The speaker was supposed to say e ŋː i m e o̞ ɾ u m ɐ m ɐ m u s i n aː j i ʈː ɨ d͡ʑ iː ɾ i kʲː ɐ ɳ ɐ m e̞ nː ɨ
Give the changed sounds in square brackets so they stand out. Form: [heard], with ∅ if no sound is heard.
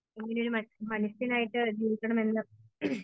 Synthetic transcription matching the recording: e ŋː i [n] e o̞ ɾ u m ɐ m ɐ [n] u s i n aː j i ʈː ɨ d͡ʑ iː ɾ i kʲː ɐ ɳ ɐ m e̞ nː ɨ